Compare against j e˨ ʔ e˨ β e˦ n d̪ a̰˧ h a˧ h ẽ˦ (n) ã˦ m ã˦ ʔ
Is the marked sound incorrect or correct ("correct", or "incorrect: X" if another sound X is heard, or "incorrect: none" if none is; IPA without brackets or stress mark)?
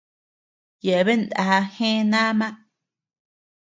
correct